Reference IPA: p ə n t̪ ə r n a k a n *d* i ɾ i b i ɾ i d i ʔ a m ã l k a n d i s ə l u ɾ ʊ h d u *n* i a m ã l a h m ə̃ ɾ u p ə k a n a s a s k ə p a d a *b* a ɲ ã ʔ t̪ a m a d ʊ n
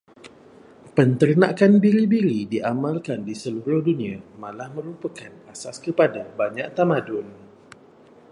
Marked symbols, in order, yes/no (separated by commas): no, yes, yes